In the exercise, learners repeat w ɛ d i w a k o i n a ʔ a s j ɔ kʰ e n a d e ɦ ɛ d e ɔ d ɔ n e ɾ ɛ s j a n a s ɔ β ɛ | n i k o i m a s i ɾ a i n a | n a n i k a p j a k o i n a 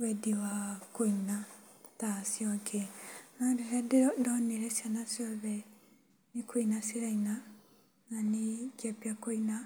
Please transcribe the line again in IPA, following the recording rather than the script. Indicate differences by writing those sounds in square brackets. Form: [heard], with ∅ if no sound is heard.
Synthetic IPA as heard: w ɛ d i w a k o i n a [t] a s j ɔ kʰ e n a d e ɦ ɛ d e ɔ d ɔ n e ɾ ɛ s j a n a s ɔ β ɛ | n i k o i [n] a s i ɾ a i n a | n a n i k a p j a k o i n a